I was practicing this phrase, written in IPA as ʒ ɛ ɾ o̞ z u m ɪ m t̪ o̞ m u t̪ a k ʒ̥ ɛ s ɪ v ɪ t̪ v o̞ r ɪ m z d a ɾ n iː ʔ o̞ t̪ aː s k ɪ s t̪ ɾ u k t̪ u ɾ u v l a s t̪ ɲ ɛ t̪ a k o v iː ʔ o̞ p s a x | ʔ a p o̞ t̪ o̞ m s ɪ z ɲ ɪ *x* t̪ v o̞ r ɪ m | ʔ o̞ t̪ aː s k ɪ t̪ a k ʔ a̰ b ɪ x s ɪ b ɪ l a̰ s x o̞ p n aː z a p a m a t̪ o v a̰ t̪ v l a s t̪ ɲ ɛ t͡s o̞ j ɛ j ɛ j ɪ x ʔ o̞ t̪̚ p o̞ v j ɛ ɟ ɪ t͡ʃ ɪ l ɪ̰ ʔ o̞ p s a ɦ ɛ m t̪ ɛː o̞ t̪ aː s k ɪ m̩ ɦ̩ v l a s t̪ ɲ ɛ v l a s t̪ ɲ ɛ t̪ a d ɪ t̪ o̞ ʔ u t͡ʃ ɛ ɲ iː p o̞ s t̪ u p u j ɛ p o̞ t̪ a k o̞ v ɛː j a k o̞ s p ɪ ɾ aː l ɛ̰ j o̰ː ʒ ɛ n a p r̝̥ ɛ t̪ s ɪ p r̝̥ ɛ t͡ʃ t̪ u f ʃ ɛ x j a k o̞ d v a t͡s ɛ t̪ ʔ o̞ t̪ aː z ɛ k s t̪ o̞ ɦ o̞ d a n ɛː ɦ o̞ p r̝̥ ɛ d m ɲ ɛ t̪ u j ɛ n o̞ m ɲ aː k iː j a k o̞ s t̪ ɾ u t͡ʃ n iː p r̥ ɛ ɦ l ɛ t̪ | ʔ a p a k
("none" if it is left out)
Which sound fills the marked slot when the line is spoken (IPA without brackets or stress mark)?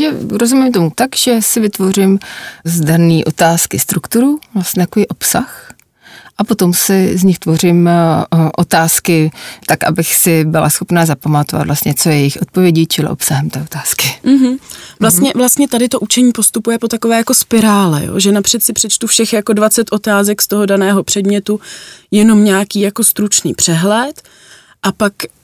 x